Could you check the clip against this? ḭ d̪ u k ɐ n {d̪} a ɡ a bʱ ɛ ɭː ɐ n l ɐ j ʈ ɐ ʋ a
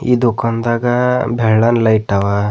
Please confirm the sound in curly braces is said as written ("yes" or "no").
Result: yes